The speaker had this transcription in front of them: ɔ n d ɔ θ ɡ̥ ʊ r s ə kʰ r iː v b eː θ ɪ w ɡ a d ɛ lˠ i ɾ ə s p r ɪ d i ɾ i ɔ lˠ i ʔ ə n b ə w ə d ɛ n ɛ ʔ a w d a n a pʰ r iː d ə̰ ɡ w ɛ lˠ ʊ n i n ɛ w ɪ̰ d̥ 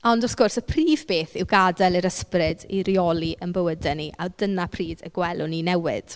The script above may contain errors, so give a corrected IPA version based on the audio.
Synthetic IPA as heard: ɔ n d ɔ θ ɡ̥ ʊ r s ə pʰ r iː v b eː θ ɪ w ɡ a d ɛ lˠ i ɾ ə s p r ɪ d i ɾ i ɔ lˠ i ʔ ə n b ə w ə d ɛ n i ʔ a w d ə n a pʰ r iː d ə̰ ɡ w ɛ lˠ ʊ n i n ɛ w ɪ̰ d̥